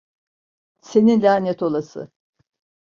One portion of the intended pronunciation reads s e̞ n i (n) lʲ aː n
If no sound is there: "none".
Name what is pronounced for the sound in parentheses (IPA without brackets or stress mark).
n